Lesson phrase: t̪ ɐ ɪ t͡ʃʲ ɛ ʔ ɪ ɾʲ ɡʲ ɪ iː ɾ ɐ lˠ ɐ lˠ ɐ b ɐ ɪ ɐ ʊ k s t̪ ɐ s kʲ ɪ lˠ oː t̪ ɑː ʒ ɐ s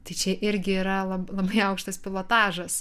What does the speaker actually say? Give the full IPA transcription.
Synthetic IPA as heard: t̪ ɐ ɪ t͡ʃʲ ɛ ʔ ɪ ɾʲ ɡʲ ɪ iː ɾ ɐ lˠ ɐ lˠ ɐ b ɐ ɪ ɐ ʊ k ʃ t̪ ɐ s pʲ ɪ lˠ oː t̪ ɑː ʒ ɐ s